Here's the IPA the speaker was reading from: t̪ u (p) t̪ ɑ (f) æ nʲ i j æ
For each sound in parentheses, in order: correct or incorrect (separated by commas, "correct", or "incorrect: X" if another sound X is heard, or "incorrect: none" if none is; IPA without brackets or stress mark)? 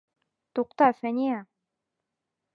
incorrect: q, correct